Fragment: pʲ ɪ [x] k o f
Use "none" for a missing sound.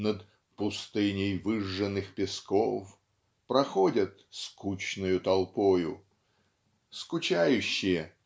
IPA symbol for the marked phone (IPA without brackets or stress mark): s